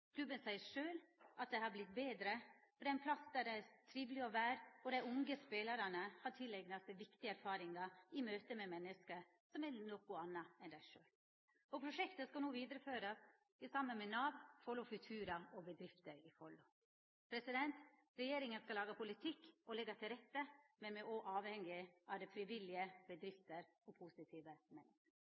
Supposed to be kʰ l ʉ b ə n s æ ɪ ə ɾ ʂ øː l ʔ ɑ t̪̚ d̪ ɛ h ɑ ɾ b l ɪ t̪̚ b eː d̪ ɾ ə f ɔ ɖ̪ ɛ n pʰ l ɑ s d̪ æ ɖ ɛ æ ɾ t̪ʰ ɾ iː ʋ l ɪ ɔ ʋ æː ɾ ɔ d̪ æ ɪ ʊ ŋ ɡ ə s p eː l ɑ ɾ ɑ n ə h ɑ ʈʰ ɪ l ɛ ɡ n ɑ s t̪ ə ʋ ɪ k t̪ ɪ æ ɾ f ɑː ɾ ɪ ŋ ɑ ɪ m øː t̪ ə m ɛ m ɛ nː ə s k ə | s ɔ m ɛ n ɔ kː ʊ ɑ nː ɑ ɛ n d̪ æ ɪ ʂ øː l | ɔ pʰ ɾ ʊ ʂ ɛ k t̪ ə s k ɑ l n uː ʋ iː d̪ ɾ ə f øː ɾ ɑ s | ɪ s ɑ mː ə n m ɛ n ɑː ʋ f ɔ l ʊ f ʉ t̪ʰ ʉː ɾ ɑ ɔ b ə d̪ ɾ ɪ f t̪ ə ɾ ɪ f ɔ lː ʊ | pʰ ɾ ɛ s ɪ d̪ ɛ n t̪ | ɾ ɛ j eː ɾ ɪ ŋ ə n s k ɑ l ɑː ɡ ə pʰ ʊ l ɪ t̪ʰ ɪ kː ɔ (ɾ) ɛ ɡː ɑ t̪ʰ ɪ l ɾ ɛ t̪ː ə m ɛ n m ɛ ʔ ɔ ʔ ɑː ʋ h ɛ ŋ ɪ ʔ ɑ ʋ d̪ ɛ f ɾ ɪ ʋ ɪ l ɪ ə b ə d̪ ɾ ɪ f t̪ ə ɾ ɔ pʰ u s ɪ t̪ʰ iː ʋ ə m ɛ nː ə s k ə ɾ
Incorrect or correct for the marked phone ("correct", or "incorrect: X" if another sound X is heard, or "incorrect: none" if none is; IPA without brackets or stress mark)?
incorrect: l